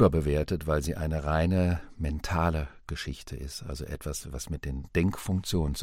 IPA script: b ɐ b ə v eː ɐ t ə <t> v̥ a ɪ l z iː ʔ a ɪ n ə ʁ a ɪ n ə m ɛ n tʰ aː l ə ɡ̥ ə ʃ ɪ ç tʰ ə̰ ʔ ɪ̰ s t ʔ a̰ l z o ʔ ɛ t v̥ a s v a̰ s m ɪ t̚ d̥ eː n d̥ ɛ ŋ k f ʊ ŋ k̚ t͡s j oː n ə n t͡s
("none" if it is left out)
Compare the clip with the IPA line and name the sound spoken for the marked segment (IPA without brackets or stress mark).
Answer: t